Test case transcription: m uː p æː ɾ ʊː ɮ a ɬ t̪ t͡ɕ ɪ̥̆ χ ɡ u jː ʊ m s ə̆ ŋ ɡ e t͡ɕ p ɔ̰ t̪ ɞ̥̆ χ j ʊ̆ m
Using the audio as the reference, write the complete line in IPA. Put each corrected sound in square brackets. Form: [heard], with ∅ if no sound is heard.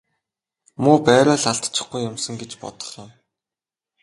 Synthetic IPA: m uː p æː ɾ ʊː ɮ a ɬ t̪ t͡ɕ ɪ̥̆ χ ɡ u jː ʊ m s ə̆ ŋ ɡ e t͡ɕ p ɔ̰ t̪ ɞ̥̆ χ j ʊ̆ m